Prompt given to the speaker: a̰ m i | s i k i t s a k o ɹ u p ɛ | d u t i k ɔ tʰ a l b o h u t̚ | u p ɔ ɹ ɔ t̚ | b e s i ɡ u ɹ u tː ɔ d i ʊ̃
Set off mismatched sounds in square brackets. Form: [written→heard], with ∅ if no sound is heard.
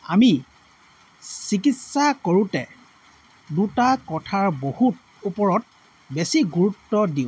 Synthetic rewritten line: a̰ m i | s i k i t s a k o ɹ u [p→t] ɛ | d u t [i→a] k ɔ tʰ a [l→ɹ] b o h u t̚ | u p ɔ ɹ ɔ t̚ | b e s i ɡ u ɹ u tː ɔ d i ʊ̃